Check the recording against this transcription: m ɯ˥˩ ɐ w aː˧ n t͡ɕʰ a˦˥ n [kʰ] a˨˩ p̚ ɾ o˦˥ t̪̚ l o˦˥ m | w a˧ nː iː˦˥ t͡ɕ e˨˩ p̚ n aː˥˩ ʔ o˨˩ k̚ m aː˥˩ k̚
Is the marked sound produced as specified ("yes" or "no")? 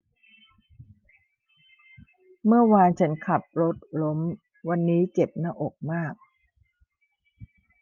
yes